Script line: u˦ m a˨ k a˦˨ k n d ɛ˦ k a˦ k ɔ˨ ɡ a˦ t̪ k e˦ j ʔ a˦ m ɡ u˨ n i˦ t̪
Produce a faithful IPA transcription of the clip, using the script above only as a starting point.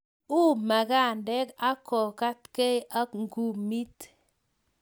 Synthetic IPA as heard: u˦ m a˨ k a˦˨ n d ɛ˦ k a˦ k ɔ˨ k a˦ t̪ k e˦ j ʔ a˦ ŋ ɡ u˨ m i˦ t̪